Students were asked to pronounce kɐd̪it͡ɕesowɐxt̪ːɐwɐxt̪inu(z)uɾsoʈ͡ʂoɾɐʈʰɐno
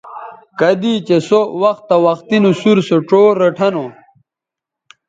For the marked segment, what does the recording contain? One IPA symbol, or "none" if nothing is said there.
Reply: s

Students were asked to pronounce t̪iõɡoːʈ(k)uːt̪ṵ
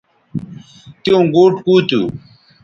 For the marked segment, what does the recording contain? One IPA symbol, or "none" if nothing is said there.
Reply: k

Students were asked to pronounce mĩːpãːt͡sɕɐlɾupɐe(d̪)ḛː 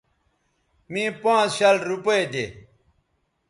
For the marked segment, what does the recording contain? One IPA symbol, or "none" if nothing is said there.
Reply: d̪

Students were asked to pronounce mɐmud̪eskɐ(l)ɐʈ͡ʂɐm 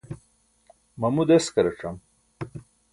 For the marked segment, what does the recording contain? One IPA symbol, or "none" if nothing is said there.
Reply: ɾ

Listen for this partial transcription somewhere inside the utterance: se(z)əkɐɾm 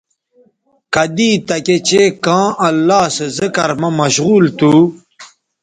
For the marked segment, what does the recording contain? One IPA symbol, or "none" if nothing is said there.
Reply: z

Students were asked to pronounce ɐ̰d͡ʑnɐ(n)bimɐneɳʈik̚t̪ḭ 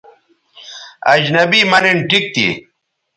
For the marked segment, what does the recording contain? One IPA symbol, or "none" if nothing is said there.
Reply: none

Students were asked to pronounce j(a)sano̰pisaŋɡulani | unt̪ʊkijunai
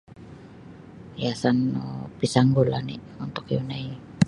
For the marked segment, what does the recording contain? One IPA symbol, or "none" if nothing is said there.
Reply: a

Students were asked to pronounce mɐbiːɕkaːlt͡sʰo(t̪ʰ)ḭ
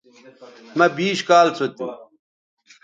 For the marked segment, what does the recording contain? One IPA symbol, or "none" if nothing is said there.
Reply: t̪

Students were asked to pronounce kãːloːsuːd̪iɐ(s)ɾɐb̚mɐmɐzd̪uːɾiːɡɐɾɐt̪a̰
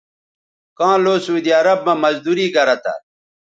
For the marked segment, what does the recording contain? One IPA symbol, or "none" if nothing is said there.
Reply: none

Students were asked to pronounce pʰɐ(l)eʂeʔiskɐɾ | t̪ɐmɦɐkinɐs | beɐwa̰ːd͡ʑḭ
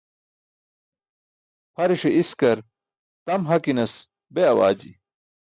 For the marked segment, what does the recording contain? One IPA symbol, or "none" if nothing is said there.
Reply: ɾ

